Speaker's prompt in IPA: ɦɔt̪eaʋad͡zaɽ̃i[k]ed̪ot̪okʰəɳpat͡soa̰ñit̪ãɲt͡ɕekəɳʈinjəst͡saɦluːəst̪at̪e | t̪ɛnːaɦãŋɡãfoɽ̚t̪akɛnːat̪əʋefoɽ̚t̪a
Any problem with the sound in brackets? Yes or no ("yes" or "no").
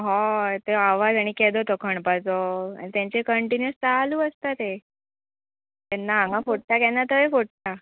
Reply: no